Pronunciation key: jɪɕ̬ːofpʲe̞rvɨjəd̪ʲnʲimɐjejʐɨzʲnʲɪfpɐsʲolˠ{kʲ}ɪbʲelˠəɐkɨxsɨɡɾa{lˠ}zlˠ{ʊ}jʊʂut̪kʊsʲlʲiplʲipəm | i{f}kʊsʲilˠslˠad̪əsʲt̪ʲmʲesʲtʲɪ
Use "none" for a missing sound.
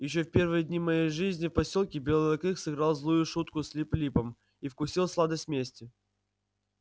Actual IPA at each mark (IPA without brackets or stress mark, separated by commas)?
kʲ, lˠ, u, f